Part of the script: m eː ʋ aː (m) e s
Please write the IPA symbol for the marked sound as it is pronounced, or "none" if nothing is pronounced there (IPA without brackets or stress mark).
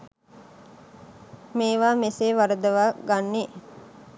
m